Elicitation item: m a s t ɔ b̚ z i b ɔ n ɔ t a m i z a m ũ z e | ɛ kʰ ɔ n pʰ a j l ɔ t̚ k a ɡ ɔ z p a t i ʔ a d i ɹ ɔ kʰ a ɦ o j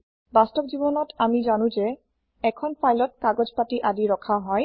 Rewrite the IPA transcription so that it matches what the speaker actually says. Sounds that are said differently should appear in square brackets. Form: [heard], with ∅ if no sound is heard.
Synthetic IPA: [b] a s t ɔ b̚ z i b ɔ n ɔ t a m i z a [n] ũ z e | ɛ kʰ ɔ n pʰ a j l ɔ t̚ k a ɡ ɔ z p a t i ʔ a d i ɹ ɔ kʰ a ɦ [ɔ] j